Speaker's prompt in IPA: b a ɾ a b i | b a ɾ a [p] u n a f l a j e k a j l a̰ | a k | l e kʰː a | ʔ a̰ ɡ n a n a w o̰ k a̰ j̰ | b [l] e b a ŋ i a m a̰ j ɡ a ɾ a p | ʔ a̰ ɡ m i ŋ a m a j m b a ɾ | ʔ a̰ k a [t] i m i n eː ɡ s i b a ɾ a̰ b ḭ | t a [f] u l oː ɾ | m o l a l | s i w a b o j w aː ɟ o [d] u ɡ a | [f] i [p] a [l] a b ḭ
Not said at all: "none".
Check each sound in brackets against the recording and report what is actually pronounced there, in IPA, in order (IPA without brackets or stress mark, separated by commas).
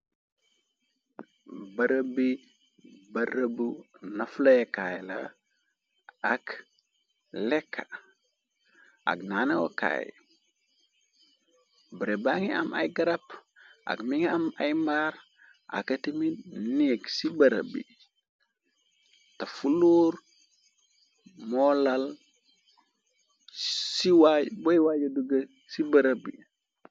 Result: b, ɾ, t, f, d, s, b, ɾ